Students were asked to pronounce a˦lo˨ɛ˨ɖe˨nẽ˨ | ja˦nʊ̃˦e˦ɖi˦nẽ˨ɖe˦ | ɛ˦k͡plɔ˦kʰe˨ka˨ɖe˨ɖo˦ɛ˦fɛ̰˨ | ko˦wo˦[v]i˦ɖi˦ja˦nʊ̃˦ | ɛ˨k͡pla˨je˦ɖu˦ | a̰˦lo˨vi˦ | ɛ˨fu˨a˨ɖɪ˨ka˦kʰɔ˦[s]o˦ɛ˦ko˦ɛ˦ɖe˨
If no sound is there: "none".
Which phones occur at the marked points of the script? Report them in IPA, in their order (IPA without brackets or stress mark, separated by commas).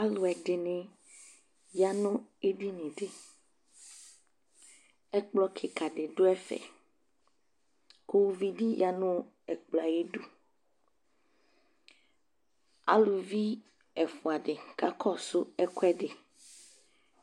v, s